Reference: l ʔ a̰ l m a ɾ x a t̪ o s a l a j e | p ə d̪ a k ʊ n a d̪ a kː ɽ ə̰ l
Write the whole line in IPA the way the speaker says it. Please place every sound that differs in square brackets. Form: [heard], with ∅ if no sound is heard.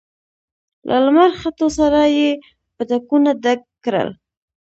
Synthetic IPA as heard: l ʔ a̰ l m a ɾ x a t̪ o s a [ɾ] a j e | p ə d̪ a k [u] n a d̪ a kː [ɾ] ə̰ l